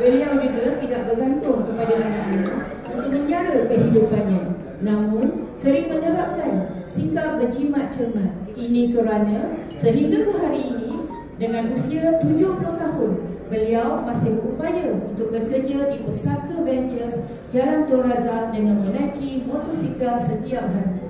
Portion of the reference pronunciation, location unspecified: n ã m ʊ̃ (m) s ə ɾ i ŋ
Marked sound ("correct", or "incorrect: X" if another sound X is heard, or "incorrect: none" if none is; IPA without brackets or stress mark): incorrect: n